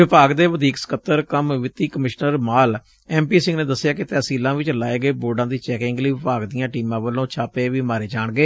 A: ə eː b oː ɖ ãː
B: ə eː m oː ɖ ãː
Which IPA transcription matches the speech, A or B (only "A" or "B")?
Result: A